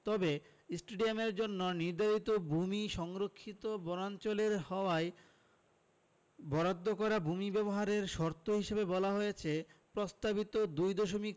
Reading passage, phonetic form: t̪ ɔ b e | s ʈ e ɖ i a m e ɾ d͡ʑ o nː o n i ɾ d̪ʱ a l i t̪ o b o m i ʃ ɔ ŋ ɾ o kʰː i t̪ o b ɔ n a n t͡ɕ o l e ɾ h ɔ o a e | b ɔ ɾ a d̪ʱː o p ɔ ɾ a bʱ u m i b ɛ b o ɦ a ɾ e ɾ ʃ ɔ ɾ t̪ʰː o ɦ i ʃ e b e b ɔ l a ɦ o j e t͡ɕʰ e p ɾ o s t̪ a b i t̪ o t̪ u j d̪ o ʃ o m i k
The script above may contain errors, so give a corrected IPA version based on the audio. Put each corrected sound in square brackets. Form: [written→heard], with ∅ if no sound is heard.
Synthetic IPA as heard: t̪ ɔ b e | s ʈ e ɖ i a m e ɾ d͡ʑ o nː o n i ɾ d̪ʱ a [l→ɾ] i t̪ o b [o→u] m i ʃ ɔ ŋ ɾ o kʰː i t̪ o b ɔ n a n t͡ɕ o l e ɾ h ɔ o a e | b ɔ ɾ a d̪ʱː o [p→k] ɔ ɾ a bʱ u m i b ɛ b o ɦ a ɾ e ɾ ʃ ɔ ɾ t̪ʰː o ɦ i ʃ e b e b ɔ l a ɦ o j e t͡ɕʰ e p ɾ o s t̪ a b i t̪ o [t̪→d̪] u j d̪ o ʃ o m i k